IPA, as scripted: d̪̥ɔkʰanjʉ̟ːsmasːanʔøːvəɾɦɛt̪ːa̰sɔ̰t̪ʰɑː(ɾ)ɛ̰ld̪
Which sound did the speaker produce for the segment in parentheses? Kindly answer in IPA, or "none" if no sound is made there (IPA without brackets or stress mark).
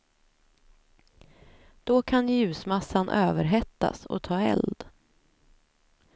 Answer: none